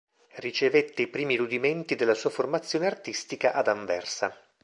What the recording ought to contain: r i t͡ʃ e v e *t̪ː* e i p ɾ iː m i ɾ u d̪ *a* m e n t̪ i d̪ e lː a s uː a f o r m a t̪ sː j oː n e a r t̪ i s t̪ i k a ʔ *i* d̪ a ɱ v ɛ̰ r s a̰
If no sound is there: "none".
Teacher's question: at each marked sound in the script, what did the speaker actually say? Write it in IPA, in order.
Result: t̪ː, i, a

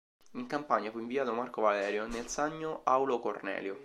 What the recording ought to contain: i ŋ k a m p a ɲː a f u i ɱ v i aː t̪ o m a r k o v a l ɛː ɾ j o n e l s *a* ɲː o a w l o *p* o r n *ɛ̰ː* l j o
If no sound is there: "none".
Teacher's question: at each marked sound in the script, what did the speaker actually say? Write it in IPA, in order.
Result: a, k, ɛ̰ː

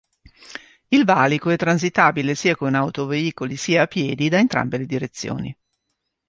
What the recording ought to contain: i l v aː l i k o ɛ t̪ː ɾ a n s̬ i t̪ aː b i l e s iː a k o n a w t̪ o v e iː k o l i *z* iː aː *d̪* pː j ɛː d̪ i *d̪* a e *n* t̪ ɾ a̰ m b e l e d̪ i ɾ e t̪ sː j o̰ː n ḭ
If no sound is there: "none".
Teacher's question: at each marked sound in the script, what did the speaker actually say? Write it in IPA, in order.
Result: s, none, d̪, n

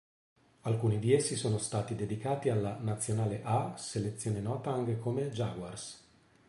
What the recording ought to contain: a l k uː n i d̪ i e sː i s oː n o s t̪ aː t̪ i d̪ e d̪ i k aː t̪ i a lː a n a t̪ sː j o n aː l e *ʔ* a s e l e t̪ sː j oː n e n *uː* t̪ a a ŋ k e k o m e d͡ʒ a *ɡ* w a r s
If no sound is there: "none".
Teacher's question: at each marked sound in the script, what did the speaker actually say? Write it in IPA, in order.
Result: ʔ, ɔː, ɡ

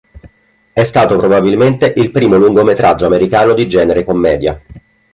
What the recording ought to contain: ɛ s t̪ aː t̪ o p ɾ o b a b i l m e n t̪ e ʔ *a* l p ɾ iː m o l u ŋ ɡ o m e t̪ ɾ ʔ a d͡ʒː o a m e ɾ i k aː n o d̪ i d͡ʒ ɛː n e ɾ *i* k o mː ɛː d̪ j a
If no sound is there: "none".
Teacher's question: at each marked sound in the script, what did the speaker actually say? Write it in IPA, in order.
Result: i, e

